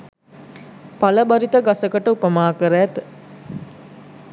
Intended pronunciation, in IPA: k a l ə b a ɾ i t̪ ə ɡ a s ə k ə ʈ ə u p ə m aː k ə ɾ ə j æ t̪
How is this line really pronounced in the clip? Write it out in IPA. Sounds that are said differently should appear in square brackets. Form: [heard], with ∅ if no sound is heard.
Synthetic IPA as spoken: [p] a l ə b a ɾ i t̪ ə ɡ a s ə k ə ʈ ə u p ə m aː k ə ɾ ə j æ t̪